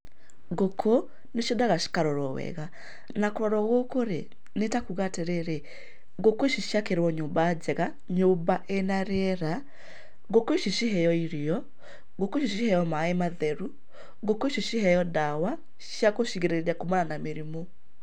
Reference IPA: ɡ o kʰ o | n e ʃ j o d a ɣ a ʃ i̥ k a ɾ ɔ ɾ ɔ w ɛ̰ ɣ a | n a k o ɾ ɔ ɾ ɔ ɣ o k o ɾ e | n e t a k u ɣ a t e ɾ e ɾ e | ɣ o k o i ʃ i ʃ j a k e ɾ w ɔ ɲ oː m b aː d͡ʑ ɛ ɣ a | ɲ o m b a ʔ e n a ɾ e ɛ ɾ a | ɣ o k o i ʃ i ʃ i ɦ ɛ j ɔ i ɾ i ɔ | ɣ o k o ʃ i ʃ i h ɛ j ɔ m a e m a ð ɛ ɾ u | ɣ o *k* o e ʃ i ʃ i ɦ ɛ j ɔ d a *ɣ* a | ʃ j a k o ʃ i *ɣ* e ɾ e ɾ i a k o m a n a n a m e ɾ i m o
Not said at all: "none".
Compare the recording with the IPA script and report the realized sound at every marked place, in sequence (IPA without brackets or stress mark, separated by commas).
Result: k, w, ɣ